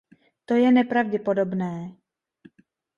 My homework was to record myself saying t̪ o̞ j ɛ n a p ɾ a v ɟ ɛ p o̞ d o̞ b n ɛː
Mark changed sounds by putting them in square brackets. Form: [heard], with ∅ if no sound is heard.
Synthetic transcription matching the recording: t̪ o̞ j ɛ n [ɛ] p ɾ a v ɟ ɛ p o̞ d o̞ b n ɛː